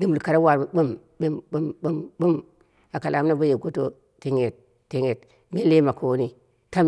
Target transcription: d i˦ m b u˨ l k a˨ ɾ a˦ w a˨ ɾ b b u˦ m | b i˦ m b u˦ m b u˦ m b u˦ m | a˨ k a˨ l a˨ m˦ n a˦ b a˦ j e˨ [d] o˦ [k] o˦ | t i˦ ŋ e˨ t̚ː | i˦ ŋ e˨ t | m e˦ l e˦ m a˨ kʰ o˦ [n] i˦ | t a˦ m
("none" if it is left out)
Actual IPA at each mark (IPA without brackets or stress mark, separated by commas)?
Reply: ɡ, t, n